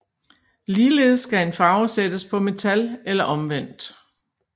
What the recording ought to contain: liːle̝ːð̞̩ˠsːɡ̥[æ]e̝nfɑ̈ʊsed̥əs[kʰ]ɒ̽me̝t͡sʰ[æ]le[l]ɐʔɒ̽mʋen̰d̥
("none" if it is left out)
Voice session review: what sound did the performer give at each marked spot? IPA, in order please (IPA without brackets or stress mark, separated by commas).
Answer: æ, pʰ, æ, l